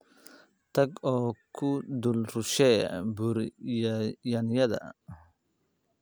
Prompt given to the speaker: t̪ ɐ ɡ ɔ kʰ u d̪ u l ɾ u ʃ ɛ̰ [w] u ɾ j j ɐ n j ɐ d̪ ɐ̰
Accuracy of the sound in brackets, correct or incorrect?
incorrect